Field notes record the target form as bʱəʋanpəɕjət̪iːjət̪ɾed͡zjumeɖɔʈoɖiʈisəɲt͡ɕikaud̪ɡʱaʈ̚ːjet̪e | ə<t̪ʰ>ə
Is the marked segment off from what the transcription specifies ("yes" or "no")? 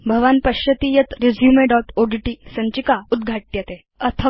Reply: no